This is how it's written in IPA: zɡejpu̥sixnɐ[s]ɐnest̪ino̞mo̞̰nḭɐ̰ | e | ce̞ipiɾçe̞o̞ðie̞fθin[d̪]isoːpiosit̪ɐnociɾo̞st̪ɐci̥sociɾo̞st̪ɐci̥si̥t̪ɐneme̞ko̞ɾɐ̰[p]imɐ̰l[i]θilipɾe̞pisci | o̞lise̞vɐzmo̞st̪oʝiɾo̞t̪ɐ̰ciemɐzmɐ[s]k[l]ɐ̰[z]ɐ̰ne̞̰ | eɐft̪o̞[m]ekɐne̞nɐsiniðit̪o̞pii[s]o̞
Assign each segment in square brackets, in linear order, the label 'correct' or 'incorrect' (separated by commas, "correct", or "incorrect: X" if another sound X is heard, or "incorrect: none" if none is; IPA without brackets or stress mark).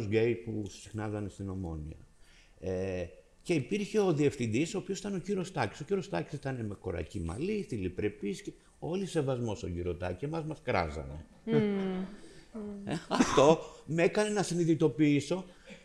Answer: incorrect: z, correct, incorrect: c, correct, correct, incorrect: ɾ, correct, correct, correct